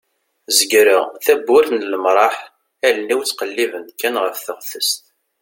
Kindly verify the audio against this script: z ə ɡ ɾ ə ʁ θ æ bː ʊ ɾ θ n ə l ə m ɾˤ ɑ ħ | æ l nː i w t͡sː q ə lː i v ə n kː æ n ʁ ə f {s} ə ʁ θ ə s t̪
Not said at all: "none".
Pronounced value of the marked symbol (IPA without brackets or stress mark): θ